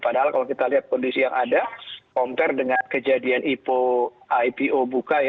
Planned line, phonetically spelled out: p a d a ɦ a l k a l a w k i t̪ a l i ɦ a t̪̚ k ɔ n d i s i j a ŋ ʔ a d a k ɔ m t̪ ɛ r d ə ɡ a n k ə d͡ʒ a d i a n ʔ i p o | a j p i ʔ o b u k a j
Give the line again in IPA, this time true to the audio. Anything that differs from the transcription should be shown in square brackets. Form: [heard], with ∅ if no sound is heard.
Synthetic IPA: p a d a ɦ a l k a l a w k i t̪ a l i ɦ a t̪̚ k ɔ n d i s i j a ŋ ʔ a d a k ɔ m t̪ ɛ r d ə [ŋ] a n k ə d͡ʒ a d i a n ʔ i p o | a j p i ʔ o b u k a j